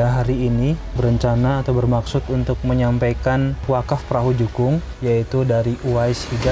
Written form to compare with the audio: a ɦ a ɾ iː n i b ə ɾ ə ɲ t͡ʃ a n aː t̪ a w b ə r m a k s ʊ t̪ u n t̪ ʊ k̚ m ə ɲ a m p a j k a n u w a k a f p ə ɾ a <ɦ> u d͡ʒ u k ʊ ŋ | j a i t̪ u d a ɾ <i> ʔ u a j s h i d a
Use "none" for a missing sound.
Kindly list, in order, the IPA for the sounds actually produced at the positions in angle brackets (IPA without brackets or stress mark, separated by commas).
ɦ, i